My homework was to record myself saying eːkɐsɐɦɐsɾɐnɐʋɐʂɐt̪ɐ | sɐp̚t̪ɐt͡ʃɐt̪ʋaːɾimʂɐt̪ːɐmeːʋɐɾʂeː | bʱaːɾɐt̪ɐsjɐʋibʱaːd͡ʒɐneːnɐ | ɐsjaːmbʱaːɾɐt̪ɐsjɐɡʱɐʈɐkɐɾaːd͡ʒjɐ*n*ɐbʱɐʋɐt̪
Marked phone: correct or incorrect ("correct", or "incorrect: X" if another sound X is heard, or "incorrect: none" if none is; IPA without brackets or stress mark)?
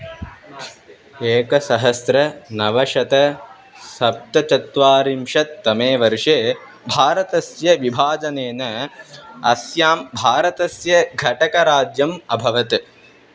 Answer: incorrect: m